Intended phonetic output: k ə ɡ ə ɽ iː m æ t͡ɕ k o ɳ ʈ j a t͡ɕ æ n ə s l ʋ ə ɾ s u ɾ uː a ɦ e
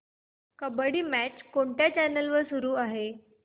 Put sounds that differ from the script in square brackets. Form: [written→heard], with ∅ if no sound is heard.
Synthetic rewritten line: k ə [ɡ→b] ə ɽ iː m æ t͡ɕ k o ɳ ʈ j a t͡ɕ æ n ə [s→∅] l ʋ ə ɾ s u ɾ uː a ɦ e